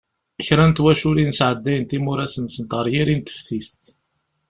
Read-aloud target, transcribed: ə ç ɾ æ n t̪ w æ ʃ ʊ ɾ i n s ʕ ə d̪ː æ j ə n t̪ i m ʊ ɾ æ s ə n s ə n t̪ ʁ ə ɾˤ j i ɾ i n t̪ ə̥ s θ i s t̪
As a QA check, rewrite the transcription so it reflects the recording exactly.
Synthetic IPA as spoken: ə ç ɾ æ n t̪ w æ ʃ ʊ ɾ i n s ʕ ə d̪ː æ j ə n t̪ i m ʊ ɾ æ s ə n s ə n t̪ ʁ ə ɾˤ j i ɾ i n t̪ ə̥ f θ i s t̪